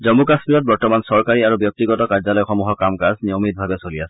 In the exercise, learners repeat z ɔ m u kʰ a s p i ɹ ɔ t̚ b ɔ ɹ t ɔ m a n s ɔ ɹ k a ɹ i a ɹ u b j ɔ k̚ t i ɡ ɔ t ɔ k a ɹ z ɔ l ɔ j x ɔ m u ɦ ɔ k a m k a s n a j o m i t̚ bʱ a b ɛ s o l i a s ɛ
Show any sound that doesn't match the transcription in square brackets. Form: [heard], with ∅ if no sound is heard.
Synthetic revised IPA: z ɔ m u [k] a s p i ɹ ɔ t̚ b ɔ ɹ t ɔ m a n s ɔ ɹ k a ɹ i a ɹ u b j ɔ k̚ t i ɡ ɔ t ɔ k a ɹ z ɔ l ɔ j x ɔ m u ɦ ɔ k a m k a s n [i] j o m i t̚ bʱ a b ɛ s o l i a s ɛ